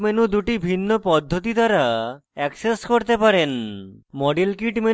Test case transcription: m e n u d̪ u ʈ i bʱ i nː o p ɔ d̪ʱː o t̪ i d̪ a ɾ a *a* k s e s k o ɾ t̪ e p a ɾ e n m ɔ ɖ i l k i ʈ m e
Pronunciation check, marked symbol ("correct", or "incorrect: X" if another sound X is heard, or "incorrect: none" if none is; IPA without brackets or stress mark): incorrect: ɛ